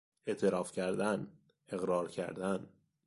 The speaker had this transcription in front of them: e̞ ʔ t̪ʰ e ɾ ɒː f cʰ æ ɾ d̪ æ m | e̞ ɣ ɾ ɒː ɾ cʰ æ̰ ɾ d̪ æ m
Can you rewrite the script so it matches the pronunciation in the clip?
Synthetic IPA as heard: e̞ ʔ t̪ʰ e ɾ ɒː f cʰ æ ɾ d̪ æ n | e̞ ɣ ɾ ɒː ɾ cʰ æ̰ ɾ d̪ æ n